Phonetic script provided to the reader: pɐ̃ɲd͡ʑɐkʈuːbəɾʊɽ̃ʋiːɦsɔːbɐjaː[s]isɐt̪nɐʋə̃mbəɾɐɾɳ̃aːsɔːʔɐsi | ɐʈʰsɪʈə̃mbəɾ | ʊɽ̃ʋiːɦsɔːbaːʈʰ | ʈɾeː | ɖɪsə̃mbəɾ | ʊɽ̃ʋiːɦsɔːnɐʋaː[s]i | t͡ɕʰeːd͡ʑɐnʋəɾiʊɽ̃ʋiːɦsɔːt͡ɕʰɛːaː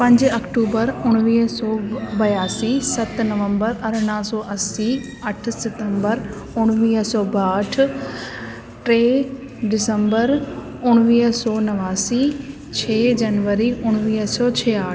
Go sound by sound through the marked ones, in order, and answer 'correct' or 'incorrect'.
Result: correct, correct

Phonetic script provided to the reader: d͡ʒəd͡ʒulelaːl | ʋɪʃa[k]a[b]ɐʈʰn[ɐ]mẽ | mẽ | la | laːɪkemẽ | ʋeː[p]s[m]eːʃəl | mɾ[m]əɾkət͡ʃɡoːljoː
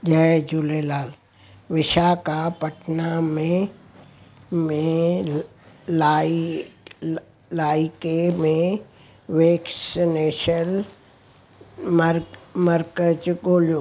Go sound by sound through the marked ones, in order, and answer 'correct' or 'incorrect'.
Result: correct, incorrect: p, incorrect: a, incorrect: k, incorrect: n, correct

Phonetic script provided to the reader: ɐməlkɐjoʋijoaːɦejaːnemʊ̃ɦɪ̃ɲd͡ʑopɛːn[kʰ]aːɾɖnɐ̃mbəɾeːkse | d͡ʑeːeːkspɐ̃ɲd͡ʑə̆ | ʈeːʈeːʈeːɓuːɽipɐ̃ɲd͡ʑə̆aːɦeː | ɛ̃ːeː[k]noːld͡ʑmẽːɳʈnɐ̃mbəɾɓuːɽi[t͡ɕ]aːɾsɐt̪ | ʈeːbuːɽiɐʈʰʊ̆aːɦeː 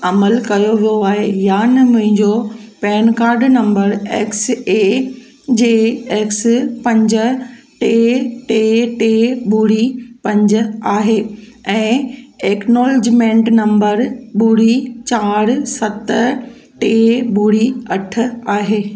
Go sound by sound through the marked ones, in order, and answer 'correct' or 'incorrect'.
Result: incorrect: k, correct, correct

